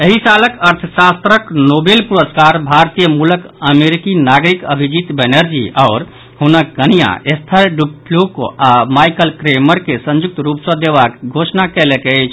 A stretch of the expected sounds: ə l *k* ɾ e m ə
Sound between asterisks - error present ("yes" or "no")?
no